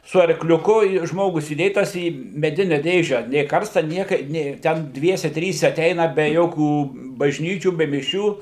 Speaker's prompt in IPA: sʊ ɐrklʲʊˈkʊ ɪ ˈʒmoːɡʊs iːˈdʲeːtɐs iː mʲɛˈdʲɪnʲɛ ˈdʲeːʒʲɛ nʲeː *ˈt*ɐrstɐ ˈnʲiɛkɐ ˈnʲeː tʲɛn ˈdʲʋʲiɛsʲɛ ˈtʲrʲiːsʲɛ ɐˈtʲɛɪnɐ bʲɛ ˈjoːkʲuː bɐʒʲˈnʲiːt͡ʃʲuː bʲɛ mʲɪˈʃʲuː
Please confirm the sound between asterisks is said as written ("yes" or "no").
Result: no